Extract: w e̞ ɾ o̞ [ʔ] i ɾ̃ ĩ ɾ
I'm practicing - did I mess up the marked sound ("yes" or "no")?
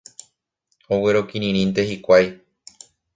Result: yes